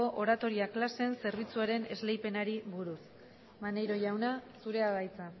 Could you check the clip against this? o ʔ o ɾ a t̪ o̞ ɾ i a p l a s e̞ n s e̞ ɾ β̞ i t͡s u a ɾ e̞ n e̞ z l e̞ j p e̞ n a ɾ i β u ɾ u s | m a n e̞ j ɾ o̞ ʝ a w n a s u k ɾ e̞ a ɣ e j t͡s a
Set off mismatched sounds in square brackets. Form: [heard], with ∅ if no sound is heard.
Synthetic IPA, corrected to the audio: o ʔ o ɾ a t̪ o̞ ɾ i a [k] l a s e̞ n s e̞ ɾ β̞ i t͡s u a ɾ e̞ n e̞ z l e̞ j p e̞ n a ɾ i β u ɾ u s | m a n e̞ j ɾ o̞ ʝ a w n a s u [∅] ɾ e̞ a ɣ [a] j t͡s a